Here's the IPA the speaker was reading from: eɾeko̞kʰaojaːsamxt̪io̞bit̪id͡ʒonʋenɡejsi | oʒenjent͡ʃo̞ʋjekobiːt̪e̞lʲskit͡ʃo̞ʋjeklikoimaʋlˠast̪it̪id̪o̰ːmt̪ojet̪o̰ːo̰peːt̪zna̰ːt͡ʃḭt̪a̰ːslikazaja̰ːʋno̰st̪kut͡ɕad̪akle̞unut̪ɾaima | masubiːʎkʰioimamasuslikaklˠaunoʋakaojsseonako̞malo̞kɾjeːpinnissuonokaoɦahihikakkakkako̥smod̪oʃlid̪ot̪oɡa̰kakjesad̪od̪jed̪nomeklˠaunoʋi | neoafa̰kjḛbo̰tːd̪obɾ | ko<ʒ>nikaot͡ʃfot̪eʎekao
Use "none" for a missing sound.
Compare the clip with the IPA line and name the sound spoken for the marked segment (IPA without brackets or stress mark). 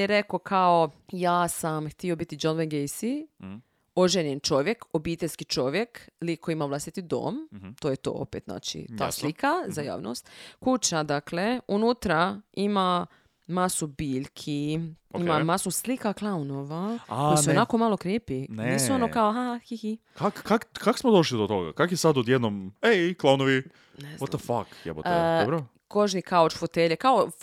ʒ